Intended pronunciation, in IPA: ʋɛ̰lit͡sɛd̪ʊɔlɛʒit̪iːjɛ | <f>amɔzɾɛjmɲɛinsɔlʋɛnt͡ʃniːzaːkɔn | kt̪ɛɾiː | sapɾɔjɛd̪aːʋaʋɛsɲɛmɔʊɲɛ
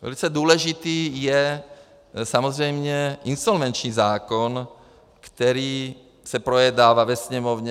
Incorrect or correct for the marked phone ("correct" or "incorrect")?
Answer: incorrect